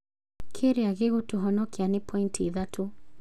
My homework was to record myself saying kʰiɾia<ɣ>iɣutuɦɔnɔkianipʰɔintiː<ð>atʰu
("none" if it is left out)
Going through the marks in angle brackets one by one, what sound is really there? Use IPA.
ɣ, ð

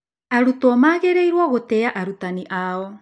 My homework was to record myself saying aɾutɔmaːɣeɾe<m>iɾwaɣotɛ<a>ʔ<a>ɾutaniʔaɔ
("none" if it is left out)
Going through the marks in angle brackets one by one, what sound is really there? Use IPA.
none, a, a

